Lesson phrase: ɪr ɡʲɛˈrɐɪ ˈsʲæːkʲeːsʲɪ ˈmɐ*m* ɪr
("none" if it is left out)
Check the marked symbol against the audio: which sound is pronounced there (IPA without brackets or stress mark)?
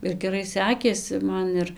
n